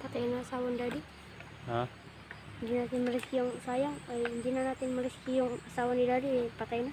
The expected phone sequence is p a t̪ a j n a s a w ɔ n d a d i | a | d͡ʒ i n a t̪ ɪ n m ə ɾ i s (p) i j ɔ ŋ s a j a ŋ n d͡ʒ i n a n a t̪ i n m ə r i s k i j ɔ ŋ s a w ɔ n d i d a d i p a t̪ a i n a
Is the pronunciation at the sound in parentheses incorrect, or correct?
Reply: incorrect